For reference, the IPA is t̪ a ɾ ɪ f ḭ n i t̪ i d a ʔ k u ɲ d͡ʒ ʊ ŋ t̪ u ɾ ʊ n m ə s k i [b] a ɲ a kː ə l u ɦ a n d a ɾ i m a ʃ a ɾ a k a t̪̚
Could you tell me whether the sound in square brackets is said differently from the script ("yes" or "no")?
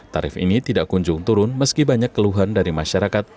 no